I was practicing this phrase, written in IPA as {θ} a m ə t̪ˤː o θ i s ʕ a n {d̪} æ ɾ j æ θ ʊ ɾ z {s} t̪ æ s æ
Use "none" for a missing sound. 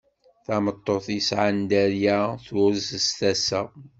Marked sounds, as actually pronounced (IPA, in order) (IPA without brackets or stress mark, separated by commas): θ, d̪, s